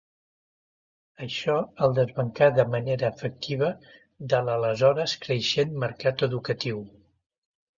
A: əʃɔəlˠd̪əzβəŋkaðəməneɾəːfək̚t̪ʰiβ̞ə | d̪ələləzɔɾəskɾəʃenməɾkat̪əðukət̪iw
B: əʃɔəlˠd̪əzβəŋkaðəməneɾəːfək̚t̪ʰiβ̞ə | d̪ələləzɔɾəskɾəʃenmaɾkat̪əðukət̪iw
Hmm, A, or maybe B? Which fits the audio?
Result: A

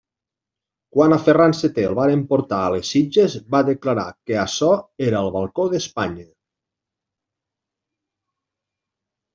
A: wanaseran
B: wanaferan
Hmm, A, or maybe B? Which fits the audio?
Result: B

